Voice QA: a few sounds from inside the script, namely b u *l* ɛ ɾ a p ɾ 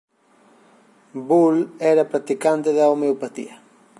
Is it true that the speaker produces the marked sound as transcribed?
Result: yes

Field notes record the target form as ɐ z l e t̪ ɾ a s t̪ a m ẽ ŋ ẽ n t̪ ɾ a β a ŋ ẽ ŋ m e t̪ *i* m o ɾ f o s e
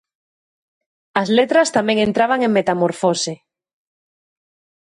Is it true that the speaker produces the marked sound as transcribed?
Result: no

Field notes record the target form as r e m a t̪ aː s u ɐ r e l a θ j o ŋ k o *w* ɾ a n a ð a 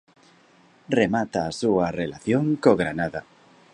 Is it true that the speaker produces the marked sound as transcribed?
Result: no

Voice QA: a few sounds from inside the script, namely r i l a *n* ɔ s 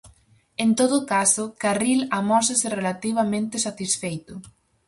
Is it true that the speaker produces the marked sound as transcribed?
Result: no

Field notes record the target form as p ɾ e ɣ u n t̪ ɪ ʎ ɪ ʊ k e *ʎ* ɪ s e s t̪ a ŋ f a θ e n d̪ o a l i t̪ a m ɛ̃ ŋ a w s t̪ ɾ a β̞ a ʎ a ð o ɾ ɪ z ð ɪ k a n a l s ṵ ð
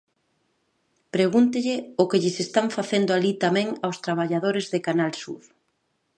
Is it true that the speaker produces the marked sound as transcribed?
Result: yes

